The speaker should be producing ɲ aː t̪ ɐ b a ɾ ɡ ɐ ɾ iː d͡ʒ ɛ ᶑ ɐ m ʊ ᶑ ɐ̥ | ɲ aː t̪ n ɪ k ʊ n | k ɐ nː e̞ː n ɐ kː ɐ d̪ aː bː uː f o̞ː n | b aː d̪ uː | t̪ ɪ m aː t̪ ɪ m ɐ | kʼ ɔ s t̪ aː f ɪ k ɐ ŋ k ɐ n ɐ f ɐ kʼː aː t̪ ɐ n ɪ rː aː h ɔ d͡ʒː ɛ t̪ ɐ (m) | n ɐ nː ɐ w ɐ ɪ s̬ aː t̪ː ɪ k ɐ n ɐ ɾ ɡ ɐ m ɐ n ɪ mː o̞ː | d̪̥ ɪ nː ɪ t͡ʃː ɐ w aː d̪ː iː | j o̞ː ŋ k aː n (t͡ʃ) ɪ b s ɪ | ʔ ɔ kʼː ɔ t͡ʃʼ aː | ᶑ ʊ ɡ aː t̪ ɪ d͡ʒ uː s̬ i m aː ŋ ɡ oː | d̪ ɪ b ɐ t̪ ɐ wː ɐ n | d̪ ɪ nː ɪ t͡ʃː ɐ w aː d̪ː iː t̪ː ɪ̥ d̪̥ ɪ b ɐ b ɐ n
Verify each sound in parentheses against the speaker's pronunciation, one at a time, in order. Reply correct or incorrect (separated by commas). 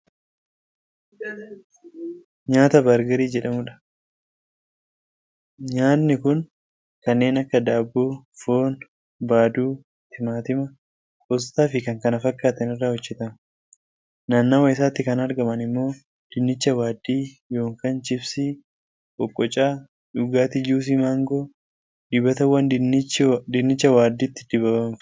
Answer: correct, correct